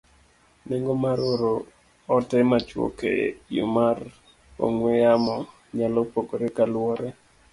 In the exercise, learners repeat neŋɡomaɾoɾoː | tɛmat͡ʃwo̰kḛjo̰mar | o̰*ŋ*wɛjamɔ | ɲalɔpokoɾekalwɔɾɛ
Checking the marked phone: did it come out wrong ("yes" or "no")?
no